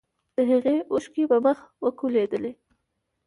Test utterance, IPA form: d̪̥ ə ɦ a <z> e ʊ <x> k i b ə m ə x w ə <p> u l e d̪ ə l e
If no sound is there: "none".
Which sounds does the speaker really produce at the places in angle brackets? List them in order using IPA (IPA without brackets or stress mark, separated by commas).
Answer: ɣ, ʃ, k